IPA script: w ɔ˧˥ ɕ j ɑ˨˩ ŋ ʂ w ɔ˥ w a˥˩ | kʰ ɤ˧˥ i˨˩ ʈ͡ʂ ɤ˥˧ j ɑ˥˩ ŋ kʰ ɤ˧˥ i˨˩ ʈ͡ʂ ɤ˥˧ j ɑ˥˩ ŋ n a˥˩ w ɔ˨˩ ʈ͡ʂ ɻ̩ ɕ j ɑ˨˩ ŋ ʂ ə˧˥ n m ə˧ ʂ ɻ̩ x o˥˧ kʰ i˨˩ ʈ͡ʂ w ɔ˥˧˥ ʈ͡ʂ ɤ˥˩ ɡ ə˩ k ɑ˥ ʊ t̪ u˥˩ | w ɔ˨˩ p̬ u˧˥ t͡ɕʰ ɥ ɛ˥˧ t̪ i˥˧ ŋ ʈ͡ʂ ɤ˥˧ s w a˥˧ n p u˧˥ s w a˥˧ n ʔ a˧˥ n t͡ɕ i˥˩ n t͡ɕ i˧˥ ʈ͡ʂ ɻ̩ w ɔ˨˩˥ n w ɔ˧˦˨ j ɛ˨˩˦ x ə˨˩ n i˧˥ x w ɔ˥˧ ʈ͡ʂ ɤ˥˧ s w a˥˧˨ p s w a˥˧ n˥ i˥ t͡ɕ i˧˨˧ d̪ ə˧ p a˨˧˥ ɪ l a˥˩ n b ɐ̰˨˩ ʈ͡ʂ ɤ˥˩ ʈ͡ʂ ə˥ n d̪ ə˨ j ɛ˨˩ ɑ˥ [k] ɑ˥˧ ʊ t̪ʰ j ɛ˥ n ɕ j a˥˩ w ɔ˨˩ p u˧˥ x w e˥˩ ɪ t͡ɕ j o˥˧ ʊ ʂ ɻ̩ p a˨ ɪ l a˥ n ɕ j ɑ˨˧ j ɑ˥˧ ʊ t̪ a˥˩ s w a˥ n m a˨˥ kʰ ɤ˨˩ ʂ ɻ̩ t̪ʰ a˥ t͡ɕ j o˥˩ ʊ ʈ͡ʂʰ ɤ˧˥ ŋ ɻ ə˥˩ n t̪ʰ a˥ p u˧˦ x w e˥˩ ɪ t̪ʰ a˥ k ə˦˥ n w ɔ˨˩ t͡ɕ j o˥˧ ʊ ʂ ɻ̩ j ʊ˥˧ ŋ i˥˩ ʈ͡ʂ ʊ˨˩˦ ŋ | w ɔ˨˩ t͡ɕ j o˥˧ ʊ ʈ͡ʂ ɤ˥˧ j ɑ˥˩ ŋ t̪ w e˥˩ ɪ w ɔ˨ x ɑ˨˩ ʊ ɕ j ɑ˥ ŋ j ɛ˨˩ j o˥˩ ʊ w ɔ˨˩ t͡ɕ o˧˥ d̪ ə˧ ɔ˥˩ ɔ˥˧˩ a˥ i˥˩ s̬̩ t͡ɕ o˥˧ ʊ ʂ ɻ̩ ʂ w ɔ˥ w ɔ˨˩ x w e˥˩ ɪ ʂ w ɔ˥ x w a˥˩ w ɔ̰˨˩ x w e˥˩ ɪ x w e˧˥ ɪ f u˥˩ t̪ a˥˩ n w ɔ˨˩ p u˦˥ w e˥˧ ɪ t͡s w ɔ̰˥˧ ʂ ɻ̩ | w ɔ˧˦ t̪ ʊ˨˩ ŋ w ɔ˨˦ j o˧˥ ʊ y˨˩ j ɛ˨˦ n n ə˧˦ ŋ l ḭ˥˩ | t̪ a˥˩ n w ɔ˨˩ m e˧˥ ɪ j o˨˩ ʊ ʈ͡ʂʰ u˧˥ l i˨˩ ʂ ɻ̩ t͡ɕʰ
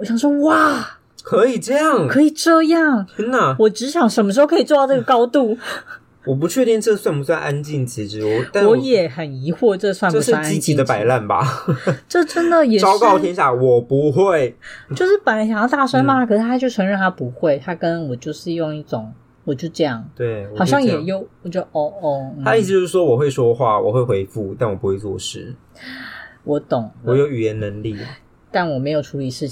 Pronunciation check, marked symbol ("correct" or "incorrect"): correct